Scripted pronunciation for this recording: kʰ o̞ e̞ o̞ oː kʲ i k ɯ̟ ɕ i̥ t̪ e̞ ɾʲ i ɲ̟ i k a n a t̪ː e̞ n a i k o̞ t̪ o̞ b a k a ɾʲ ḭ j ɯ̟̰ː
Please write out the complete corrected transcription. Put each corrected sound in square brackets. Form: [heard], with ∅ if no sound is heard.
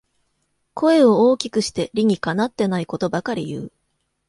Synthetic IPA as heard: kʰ o̞ e̞ o̞ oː kʲ i k ɯ̟ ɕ i̥ t̪ e̞ ɾʲ i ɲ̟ i k a n a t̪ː e̞ n a i k o̞ t̪ o̞ b a k a ɾʲ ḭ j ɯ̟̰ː